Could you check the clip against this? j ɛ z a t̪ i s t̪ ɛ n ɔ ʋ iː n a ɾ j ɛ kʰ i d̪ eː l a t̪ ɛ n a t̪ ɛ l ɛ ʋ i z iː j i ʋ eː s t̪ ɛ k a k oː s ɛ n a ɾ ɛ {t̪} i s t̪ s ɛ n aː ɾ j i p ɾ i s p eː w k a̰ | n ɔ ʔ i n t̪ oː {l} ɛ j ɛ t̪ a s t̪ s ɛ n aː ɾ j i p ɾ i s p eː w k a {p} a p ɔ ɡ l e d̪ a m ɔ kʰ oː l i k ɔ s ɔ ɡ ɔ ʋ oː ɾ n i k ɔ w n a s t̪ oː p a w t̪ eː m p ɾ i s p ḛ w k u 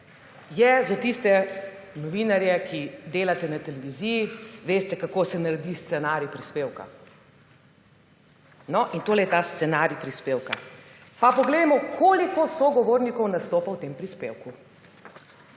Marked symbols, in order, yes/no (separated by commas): no, yes, yes